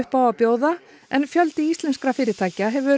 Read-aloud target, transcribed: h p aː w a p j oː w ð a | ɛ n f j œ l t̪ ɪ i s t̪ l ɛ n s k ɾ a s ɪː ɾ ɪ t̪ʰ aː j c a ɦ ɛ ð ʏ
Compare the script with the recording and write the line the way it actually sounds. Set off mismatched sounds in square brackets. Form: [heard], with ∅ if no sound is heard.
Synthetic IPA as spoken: h p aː w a p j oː w ð a | ɛ n f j œ l t̪ ɪ i s t̪ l ɛ n s k ɾ a [f] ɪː ɾ ɪ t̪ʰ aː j c a ɦ ɛ [v] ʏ